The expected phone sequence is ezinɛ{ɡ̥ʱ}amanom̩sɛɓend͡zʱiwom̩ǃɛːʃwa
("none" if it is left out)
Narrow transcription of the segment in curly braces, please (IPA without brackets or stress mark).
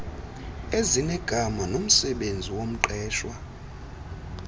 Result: ɡ̥ʱ